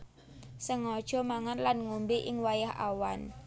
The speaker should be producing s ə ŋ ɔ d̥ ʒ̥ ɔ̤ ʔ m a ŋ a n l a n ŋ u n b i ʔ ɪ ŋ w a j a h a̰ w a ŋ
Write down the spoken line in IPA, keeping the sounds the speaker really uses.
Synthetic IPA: s ə ŋ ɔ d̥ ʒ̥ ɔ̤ m a ŋ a n l a n ŋ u m b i ʔ ɪ ŋ w a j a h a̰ w a n